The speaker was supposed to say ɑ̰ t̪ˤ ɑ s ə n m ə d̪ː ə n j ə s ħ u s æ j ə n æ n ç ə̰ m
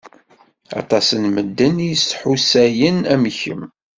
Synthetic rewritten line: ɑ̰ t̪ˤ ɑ s ə n m ə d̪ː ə n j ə s ħ u s æ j ə n æ m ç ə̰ m